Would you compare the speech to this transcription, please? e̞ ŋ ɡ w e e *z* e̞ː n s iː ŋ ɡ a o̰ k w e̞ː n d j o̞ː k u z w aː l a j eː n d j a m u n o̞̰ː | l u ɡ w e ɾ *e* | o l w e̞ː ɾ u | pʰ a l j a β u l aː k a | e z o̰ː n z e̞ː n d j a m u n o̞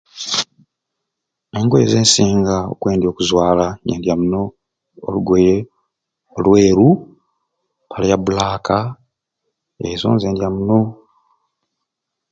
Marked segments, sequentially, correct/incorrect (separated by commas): correct, correct